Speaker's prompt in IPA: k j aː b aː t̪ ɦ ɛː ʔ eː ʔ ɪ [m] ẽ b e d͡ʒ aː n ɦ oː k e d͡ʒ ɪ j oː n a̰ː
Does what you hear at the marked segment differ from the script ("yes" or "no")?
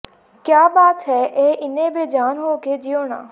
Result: yes